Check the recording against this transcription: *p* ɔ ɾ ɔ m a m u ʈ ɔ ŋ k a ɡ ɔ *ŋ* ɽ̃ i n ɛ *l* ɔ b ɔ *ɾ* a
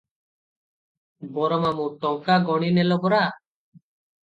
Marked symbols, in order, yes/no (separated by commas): no, no, yes, yes